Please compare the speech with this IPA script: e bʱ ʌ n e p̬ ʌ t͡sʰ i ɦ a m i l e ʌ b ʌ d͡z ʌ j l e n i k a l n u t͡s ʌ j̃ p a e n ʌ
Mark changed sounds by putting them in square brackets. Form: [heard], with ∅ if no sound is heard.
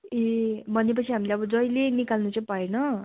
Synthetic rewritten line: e bʱ ʌ n e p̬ ʌ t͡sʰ i ɦ a m i l e ʌ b ʌ d͡z ʌ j l e n i k a l n u t͡s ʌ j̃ p a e n ʌ